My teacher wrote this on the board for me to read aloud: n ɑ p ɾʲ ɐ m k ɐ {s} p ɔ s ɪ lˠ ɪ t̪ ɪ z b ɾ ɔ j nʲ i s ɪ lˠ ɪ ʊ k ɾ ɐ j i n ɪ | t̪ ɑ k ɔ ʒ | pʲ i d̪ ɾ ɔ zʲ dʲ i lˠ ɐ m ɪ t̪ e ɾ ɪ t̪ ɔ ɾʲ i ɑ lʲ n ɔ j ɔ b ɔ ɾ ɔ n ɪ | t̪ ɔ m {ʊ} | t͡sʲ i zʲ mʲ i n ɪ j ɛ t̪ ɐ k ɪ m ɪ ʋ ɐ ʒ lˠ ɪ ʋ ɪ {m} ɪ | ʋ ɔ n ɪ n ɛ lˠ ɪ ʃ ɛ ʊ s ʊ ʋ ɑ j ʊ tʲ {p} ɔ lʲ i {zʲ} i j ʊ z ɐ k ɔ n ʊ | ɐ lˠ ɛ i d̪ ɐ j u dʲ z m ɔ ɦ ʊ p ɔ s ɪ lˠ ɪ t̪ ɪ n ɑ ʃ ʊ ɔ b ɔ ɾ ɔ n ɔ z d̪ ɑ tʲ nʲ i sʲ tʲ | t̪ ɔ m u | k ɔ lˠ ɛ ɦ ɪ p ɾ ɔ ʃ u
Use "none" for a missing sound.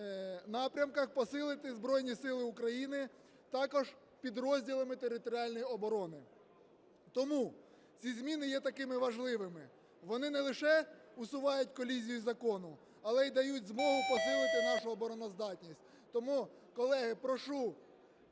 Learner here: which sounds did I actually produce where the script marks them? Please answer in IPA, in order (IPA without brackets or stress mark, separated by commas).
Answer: x, u, m, k, zʲ